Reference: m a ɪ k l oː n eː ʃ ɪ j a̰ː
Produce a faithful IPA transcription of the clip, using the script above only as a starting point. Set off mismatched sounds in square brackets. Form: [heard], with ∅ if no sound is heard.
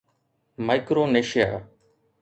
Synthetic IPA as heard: m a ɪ k [ɾ] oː n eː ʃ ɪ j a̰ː

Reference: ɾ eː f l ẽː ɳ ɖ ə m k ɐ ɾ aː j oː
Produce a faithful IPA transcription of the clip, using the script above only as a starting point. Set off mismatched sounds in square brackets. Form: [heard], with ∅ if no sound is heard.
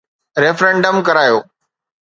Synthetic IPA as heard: ɾ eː f [ɾ] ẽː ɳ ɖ ə m k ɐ ɾ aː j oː

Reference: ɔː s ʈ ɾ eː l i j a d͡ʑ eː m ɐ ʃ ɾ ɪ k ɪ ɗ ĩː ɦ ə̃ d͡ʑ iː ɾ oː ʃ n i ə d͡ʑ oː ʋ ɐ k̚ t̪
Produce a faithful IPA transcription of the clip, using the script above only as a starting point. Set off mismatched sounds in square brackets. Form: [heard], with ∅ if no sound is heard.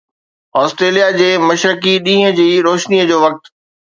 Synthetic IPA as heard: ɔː s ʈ ɾ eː l i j a d͡ʑ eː m ɐ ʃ ɾ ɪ k [i] ɗ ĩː ɦ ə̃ d͡ʑ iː ɾ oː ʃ n i ə d͡ʑ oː ʋ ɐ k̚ t̪

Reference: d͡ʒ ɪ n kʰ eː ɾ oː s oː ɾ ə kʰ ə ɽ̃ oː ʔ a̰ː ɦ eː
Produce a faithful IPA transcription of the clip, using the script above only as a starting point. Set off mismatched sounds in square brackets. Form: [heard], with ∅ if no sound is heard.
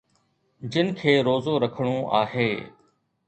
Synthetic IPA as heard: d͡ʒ ɪ n kʰ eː ɾ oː [z] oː ɾ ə kʰ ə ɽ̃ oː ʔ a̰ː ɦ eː

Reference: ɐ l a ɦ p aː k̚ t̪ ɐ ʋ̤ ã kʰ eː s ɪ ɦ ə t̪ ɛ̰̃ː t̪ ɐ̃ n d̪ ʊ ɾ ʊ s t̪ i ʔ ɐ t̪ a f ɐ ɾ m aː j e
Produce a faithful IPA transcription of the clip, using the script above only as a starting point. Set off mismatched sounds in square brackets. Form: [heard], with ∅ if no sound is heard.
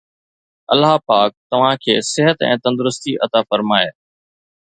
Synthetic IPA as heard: ɐ l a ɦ p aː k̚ t̪ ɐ ʋ̤ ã kʰ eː s ɪ ɦ ə t̪ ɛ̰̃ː t̪ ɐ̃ n d̪ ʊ ɾ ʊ s t̪ i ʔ ɐ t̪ a f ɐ ɾ m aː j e

